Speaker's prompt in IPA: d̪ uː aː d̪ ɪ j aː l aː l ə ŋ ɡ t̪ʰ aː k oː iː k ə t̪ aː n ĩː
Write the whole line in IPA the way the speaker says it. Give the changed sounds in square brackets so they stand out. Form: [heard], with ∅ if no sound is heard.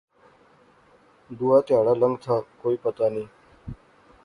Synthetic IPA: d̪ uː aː [t̪] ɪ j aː [ɽ] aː l ə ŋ ɡ t̪ʰ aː k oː iː [p] ə t̪ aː n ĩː

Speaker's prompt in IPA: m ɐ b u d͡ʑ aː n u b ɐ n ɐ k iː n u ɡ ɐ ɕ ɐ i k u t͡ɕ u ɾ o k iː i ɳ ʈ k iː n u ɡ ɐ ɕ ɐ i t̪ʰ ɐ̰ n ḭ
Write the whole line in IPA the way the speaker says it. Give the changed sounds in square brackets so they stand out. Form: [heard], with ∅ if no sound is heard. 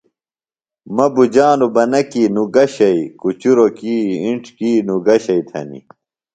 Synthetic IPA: m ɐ b u d͡ʑ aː n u b ɐ n ɐ k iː n u ɡ ɐ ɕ ɐ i k u t͡ɕ u ɾ o k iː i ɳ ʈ k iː n u ɡ ɐ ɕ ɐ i t̪ʰ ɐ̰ n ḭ

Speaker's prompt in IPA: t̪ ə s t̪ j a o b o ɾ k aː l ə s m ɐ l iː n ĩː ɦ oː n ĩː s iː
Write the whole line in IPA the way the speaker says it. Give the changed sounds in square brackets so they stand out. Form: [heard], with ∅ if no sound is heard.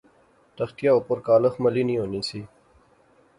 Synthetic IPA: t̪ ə [x] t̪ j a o [p] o ɾ k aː l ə [x] m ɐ l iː n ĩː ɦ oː n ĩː s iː

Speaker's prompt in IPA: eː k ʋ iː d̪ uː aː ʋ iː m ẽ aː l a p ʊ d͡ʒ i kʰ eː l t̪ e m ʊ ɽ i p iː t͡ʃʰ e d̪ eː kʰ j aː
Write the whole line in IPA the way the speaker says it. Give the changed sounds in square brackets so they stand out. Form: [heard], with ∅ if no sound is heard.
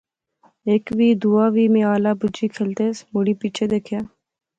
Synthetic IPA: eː k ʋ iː d̪ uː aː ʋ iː m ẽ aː l a [b] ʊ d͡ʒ i kʰ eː l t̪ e m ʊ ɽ i p iː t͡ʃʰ e d̪ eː kʰ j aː

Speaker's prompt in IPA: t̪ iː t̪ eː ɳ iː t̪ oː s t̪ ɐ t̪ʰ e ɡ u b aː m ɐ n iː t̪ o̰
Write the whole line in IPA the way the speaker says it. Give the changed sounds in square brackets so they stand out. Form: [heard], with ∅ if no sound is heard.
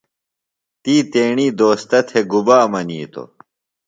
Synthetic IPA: t̪ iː t̪ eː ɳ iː [d̪] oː s t̪ ɐ t̪ʰ e ɡ u b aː m ɐ n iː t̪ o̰

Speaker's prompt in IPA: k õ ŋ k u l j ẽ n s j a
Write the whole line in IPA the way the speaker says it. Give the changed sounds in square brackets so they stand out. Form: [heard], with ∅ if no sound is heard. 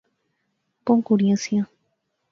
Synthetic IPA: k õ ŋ k u [ɾ] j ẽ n s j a

